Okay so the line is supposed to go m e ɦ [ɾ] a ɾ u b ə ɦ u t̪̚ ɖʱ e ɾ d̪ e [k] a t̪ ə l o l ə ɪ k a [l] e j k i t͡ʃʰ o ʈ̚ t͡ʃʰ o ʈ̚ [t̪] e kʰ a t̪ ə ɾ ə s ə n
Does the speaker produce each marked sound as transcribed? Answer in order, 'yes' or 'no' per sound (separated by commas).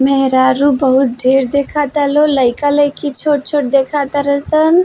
yes, no, yes, no